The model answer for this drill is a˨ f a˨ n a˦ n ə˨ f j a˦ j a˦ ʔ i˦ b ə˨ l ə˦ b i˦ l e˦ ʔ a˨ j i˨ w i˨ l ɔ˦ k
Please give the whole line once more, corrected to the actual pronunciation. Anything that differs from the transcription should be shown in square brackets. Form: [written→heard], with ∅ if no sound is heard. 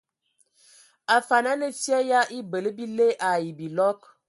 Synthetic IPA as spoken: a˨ f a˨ n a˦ n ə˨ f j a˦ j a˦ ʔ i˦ b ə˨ l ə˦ b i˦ l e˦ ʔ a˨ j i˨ [w→b] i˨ l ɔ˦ k